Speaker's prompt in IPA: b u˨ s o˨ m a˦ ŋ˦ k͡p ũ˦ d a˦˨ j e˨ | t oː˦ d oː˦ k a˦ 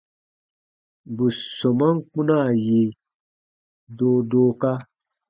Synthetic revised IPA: b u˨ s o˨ m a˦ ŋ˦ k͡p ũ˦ n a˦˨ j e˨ | d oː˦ d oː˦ k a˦